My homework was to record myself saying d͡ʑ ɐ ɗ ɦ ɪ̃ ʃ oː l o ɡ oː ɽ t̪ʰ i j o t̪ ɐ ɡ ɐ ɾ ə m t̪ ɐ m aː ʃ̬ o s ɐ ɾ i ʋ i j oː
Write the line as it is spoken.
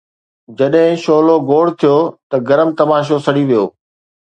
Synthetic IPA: d͡ʑ ɐ ɗ ɦ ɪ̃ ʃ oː l o ɡ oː ɽ t̪ʰ i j o t̪ ɐ ɡ ɐ ɾ ə m t̪ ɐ m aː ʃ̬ o s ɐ ɽ i ʋ i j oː